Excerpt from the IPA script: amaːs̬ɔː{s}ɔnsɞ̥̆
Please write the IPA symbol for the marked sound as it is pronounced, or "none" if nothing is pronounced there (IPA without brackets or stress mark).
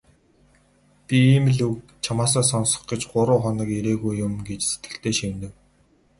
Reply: s